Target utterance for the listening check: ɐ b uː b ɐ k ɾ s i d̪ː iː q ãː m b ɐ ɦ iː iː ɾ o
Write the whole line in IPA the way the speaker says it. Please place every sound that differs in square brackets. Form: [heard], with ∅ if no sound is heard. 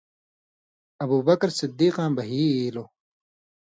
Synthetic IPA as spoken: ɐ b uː b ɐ k ɾ s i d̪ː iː q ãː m b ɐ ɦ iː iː [l] o